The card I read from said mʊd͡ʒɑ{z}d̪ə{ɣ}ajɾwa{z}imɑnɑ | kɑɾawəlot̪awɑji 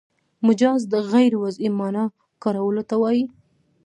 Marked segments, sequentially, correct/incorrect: correct, correct, correct

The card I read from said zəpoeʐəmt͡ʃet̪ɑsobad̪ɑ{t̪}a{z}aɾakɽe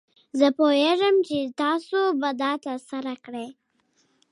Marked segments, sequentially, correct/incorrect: correct, incorrect: s

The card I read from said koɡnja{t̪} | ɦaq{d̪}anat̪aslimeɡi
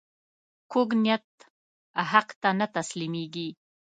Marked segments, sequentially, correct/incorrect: correct, incorrect: t̪

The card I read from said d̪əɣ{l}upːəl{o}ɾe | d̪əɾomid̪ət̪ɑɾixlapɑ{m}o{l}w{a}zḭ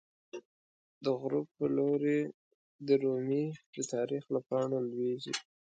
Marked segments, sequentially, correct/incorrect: incorrect: ɾ, correct, incorrect: ɳ, correct, incorrect: e

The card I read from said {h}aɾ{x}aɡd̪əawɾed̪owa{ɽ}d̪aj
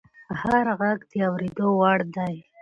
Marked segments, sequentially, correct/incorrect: correct, incorrect: ɣ, correct

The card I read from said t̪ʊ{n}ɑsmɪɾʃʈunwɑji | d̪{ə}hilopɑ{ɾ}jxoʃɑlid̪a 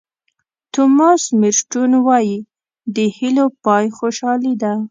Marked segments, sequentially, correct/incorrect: incorrect: m, correct, incorrect: none

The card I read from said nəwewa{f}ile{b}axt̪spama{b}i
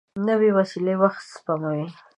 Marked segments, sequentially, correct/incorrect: incorrect: s, incorrect: w, incorrect: w

